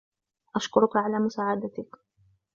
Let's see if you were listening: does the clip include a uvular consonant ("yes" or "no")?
no